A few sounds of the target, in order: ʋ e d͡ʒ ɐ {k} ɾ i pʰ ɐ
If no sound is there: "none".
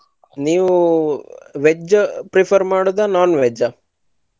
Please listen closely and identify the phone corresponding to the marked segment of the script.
p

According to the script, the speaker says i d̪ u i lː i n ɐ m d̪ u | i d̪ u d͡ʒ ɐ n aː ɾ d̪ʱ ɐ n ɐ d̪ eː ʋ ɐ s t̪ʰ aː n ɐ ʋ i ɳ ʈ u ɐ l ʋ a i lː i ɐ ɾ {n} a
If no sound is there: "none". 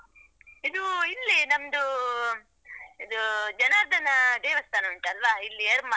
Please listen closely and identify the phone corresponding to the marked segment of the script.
m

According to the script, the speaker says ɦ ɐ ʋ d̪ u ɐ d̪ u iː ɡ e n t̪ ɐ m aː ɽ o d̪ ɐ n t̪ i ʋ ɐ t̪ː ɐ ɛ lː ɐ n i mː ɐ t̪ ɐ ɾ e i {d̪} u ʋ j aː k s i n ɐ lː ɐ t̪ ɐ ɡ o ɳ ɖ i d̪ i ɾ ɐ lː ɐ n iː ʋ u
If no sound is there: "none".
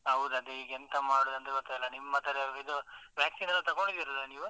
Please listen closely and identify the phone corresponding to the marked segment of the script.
d̪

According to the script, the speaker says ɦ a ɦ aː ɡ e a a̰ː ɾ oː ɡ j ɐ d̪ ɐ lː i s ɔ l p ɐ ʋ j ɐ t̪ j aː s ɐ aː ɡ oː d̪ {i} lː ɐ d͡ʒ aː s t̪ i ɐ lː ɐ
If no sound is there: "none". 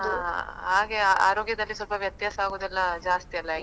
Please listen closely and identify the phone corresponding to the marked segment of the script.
ɛ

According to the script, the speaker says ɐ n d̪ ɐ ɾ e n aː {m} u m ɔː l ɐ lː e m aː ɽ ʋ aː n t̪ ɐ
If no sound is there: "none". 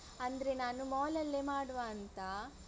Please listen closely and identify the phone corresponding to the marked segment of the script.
n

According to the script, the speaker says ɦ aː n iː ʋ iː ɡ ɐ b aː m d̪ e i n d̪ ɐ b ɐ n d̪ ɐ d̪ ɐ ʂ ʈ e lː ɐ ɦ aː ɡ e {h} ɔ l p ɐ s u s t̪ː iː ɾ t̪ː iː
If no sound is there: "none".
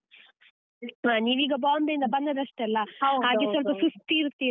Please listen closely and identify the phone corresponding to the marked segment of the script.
s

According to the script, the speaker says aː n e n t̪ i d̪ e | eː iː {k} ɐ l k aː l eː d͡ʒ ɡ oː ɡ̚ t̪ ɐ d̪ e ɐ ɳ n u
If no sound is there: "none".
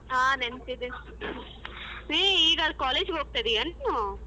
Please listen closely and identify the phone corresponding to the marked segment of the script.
ɡ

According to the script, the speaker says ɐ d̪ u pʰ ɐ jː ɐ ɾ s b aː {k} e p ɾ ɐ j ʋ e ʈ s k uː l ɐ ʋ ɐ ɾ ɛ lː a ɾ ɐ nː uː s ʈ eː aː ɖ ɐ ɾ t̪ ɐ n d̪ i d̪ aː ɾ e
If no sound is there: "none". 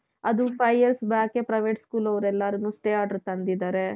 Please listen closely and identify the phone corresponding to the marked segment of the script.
k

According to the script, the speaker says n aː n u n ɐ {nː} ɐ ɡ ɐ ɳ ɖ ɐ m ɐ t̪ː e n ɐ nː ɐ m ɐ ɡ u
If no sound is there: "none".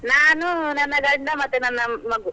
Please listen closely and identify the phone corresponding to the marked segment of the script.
nː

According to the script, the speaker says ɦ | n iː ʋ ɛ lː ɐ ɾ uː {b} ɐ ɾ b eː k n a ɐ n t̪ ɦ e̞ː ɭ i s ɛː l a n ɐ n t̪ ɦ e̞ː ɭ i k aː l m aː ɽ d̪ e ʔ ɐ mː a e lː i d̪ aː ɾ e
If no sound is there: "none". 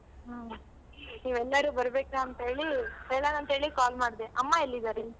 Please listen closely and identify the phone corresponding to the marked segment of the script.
b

